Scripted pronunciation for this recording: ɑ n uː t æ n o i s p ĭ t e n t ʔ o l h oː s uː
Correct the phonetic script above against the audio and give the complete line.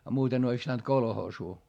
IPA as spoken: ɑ m uː t e n o i s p ĭ t æ n t k o l h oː s uː